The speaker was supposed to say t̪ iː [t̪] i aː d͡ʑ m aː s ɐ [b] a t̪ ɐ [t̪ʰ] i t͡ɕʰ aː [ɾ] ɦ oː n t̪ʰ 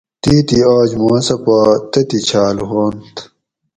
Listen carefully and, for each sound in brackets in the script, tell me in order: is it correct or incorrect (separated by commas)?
correct, incorrect, incorrect, incorrect